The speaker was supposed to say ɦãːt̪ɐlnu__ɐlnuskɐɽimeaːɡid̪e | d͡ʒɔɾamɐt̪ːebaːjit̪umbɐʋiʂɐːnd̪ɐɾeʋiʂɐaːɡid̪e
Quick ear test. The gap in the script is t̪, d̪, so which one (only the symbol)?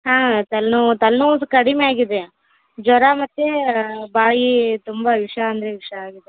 t̪